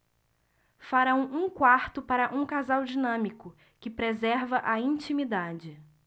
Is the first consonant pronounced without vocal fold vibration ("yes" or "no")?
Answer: yes